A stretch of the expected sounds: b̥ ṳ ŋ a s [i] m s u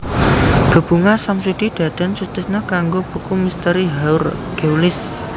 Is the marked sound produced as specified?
no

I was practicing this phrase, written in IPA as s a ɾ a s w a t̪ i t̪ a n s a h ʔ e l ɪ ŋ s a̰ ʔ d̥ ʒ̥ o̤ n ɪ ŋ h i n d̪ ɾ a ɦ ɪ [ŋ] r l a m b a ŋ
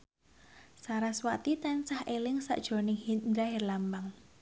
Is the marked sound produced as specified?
no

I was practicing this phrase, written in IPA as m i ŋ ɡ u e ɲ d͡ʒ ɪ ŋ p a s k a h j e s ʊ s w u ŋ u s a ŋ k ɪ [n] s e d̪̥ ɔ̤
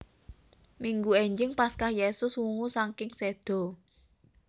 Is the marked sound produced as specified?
no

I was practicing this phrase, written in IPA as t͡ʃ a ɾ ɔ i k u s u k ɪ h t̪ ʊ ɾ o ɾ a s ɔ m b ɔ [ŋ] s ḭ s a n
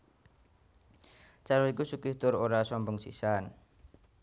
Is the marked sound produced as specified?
yes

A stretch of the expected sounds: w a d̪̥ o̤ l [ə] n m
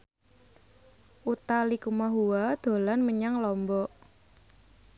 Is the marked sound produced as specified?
no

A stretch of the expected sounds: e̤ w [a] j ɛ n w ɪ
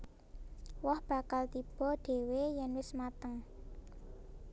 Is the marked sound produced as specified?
no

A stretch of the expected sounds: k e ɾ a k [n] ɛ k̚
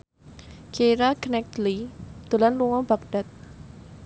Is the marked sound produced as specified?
yes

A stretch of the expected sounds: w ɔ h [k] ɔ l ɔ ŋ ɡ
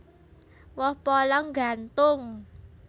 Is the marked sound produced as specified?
no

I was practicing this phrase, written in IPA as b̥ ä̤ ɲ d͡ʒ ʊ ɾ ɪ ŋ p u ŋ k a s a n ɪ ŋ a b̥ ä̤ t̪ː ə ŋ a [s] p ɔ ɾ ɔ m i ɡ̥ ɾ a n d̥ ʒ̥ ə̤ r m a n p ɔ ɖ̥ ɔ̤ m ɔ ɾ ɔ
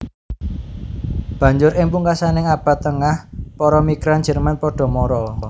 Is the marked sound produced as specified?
no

